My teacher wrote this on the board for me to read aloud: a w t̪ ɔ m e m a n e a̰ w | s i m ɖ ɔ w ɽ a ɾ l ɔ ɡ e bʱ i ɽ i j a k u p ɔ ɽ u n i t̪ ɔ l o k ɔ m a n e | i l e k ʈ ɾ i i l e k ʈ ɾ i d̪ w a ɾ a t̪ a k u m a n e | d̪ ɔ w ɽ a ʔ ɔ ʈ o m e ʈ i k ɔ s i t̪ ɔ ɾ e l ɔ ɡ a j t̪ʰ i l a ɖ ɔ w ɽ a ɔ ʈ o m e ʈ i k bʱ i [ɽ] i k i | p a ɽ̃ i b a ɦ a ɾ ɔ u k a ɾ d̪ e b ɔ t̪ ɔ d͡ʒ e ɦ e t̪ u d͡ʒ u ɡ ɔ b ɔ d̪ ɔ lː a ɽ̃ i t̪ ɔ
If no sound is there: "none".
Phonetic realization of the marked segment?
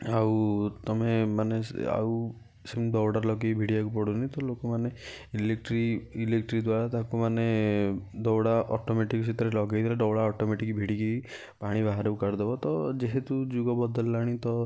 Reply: ɽ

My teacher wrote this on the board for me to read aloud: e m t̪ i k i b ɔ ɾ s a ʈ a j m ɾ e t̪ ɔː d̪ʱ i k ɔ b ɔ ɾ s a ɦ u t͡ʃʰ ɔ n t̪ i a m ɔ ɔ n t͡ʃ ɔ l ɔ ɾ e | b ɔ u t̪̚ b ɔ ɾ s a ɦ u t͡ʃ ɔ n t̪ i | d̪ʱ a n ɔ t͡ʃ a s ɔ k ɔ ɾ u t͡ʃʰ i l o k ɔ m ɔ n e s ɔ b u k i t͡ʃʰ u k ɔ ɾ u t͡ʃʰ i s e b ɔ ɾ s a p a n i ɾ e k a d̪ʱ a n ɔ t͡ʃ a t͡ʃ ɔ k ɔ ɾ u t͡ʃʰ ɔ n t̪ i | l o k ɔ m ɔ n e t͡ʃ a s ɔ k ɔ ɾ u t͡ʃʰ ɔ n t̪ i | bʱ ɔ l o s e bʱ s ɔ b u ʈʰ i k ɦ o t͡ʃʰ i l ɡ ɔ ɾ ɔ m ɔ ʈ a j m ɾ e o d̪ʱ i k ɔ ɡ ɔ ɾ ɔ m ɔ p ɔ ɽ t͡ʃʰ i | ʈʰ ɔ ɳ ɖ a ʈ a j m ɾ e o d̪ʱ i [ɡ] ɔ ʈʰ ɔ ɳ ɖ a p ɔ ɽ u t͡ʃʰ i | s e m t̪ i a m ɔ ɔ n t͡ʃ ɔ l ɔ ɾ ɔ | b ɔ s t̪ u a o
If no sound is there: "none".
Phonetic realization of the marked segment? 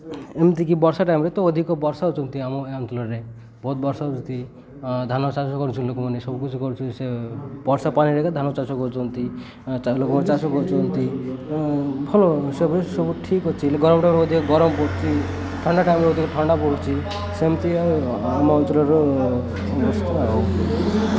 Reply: k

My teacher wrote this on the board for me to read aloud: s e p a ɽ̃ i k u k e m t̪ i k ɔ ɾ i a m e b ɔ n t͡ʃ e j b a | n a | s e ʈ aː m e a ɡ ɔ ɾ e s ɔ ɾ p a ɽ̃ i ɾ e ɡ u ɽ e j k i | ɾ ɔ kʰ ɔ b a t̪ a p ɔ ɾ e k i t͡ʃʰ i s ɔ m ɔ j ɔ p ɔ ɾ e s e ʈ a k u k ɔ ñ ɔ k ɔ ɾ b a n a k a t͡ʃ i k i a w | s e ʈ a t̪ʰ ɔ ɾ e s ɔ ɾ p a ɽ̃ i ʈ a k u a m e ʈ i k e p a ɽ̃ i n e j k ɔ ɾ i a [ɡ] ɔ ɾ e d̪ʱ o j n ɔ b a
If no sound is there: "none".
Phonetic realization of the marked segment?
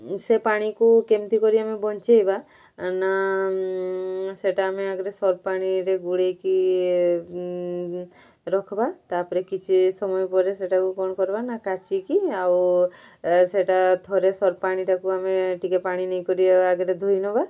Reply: ɡ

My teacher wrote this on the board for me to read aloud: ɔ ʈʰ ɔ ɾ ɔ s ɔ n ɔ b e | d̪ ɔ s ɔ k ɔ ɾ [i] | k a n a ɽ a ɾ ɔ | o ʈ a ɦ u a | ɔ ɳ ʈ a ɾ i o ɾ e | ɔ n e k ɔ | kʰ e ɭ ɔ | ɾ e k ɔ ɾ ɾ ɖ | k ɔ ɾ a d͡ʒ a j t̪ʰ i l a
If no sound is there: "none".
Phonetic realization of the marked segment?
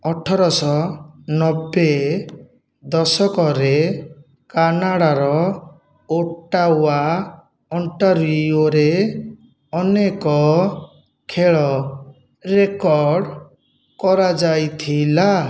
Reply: e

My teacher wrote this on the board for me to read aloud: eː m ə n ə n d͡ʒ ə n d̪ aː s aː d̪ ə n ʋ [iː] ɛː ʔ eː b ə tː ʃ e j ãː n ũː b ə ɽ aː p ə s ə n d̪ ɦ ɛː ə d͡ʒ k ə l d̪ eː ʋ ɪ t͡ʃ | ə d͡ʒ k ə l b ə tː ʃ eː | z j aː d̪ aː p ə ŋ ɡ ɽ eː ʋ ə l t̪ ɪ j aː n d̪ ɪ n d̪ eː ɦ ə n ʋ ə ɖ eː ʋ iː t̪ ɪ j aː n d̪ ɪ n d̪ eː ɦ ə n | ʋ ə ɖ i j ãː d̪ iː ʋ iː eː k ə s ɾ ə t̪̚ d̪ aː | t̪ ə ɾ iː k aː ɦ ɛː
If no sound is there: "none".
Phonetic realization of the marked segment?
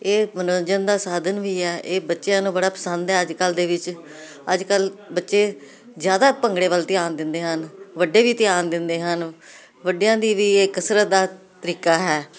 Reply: iː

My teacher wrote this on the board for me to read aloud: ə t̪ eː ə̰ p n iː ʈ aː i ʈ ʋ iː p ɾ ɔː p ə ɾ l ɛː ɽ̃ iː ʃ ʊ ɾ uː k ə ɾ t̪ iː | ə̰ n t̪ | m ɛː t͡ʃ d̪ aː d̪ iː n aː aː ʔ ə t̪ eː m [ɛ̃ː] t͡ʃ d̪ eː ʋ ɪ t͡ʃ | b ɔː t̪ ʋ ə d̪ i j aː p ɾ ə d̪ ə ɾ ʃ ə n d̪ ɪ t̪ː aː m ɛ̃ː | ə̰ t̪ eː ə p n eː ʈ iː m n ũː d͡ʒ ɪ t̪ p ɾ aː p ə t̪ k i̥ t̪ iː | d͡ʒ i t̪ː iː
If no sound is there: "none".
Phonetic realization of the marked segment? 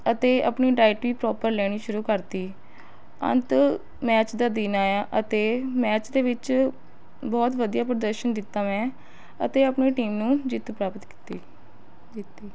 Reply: ɛː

